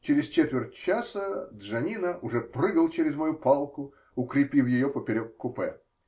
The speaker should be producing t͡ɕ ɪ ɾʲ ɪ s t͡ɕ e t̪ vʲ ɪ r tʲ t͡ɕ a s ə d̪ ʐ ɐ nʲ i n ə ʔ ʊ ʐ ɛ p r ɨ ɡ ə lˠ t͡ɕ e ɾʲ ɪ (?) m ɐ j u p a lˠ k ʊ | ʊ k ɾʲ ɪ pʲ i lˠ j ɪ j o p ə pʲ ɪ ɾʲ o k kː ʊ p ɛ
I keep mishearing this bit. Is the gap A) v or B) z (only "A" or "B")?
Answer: B